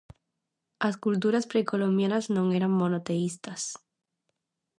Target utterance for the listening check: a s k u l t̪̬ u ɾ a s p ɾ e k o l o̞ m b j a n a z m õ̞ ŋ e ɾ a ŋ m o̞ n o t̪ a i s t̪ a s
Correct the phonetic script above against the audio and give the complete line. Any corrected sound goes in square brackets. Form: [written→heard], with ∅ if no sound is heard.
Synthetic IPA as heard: a s k u l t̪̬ u ɾ a s p ɾ e k o l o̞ m b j a n a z [m→n] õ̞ ŋ e ɾ a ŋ m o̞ n o t̪ [a→e] i s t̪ a s